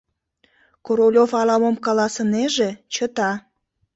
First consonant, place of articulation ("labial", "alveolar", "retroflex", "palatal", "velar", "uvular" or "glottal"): velar